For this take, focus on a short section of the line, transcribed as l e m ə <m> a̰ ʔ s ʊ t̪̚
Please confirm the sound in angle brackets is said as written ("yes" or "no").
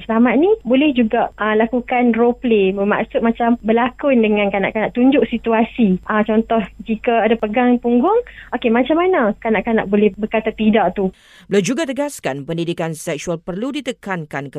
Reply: yes